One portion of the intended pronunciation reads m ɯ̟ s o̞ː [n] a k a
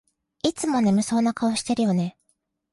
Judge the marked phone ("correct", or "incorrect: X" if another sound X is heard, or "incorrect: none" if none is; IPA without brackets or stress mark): correct